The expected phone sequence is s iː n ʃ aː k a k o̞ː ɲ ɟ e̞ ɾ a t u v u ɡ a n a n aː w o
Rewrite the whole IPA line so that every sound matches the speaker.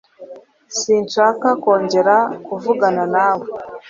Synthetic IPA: s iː n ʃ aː k a k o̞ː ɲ ɟ e̞ ɾ a k u v u ɡ a n a n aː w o